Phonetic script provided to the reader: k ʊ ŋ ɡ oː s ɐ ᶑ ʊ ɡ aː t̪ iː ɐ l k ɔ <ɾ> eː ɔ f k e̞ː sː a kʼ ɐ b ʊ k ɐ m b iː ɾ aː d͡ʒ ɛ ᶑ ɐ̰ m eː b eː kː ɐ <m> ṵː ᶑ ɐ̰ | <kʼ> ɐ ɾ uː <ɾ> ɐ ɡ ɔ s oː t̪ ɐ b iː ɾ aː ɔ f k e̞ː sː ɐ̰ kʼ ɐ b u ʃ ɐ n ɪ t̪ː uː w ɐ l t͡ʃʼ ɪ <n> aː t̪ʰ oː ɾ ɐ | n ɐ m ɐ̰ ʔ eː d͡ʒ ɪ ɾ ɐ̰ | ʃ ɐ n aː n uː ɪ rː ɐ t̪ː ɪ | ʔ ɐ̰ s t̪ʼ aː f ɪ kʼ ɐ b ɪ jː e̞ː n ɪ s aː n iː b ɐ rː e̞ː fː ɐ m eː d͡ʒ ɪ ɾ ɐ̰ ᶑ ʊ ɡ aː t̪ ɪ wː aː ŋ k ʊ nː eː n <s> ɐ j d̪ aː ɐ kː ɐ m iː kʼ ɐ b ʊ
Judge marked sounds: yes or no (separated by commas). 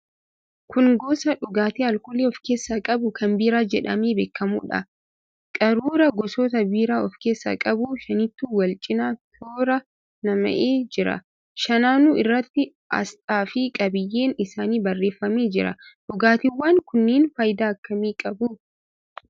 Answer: no, yes, yes, yes, yes, no